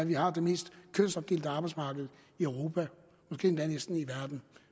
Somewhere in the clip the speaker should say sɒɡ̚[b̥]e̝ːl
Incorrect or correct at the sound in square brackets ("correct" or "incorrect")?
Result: incorrect